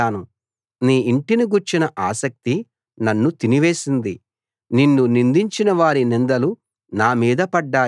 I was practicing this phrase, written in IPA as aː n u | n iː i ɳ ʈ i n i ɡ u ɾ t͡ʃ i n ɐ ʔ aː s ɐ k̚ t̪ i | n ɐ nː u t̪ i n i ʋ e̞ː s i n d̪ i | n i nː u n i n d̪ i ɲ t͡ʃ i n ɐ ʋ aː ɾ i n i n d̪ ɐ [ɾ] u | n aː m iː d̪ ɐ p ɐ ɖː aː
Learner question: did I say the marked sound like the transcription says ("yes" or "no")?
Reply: no